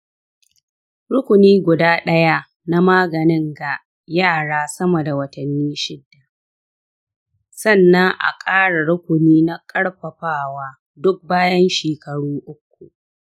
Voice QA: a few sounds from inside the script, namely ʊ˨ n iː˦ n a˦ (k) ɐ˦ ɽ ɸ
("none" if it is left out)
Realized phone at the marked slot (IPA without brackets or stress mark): kʼ